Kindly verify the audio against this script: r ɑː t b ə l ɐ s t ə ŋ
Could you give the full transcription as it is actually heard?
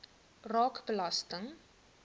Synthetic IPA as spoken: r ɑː k b ə l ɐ s t ə ŋ